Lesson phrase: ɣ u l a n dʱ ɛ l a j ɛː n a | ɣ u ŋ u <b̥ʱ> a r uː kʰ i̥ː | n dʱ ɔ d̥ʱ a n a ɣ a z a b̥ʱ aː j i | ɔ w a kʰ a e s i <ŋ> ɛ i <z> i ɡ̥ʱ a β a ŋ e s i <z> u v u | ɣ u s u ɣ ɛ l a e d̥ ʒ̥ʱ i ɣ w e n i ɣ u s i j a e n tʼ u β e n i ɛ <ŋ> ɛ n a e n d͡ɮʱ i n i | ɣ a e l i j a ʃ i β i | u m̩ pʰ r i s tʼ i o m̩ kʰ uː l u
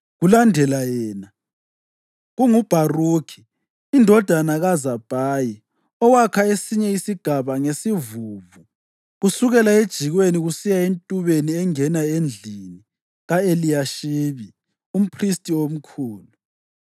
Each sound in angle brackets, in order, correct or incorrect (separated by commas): correct, incorrect, incorrect, incorrect, correct